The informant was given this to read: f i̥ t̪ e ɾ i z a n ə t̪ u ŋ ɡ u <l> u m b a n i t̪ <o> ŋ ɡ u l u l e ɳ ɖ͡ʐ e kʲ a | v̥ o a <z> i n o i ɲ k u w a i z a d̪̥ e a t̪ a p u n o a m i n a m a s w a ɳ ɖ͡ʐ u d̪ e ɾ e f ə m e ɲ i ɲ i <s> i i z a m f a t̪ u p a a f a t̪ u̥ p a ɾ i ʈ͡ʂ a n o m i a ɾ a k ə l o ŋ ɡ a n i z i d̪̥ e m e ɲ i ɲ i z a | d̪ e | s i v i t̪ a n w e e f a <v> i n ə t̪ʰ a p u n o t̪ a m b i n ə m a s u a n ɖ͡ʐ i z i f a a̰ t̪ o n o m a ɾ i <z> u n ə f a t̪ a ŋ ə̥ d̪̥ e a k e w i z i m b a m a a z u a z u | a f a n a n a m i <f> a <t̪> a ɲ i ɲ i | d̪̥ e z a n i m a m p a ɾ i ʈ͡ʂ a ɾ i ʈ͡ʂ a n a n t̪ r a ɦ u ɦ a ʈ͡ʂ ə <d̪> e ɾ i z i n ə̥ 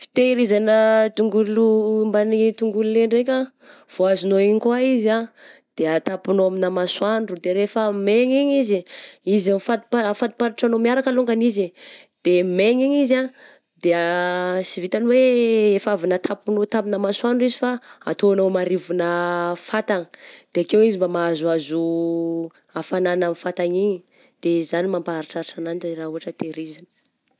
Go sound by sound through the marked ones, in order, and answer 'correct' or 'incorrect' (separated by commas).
correct, incorrect, correct, incorrect, correct, incorrect, correct, correct, incorrect